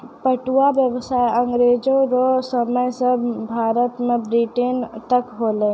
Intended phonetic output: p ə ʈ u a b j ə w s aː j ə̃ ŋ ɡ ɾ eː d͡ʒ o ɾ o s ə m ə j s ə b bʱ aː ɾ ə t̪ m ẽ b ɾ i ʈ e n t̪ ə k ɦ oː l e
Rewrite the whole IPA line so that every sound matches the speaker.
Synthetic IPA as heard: p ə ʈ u a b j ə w s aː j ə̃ ŋ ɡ ɾ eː d͡ʒ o ɾ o s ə m ə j s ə b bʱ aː ɾ ə t̪ m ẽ b ɾ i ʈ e n t̪ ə k ɦ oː l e